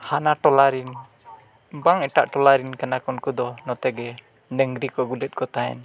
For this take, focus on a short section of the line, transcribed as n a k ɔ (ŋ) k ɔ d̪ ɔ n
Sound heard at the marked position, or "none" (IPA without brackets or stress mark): n